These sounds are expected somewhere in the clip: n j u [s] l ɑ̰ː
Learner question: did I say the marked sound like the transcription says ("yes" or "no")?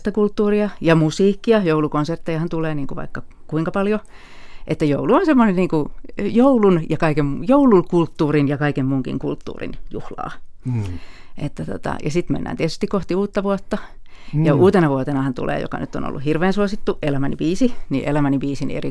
no